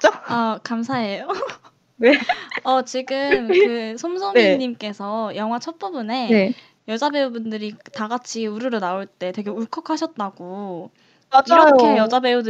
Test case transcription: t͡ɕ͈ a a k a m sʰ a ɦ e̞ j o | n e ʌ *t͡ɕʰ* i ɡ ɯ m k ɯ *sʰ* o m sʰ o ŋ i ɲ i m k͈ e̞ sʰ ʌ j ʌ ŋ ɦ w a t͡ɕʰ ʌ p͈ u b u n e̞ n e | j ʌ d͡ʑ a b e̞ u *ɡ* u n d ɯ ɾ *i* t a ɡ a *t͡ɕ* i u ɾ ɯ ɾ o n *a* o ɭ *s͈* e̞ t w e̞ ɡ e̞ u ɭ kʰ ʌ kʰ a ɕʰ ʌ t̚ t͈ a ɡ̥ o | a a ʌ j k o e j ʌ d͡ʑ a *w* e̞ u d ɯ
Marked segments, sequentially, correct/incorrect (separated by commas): incorrect, correct, incorrect, correct, incorrect, correct, incorrect, incorrect